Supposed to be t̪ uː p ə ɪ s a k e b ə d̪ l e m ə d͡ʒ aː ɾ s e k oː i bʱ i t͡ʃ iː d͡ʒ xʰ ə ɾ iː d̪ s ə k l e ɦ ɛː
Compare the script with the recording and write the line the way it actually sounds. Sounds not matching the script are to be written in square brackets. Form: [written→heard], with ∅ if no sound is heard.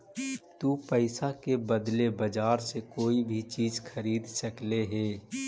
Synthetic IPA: t̪ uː p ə ɪ s a k e b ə d̪ l e [m→b] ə d͡ʒ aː ɾ s e k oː i bʱ i t͡ʃ iː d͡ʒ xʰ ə ɾ iː d̪ s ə k l e ɦ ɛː